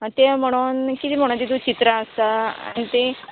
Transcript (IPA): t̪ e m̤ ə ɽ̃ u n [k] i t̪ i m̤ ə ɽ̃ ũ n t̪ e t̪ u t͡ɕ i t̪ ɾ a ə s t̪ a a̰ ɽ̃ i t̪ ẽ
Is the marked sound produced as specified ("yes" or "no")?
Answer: yes